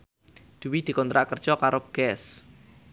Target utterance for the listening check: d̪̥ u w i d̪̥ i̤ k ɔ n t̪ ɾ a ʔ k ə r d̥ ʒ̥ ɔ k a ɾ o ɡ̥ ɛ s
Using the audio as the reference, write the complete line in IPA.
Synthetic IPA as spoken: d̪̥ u w i d̪̥ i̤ k ɔ n t̪ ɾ a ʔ k ə r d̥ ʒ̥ ɔ k a ɾ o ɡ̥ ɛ s